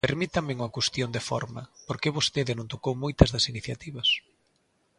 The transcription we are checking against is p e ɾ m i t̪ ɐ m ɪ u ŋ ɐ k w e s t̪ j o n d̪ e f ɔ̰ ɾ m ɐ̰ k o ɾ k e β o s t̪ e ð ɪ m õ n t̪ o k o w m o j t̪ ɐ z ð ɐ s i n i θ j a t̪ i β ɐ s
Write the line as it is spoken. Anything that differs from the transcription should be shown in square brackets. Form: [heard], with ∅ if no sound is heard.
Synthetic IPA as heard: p e ɾ m i t̪ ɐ m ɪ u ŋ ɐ k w e s t̪ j o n d̪ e f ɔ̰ ɾ m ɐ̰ [p] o ɾ k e β o s t̪ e ð ɪ [n] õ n t̪ o k o w m o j t̪ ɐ z ð ɐ s i n i θ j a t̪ i β ɐ s